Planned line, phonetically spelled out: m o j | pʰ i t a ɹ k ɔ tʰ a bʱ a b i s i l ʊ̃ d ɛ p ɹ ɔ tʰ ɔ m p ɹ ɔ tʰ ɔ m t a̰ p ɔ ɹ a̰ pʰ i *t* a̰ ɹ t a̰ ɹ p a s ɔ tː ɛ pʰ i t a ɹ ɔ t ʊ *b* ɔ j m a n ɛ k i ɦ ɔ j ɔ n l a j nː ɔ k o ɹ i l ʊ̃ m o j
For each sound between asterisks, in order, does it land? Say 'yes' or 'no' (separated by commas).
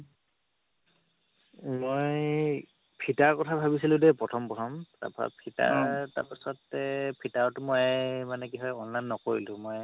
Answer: yes, no